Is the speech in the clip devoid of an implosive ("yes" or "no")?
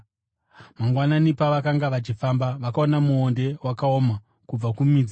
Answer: yes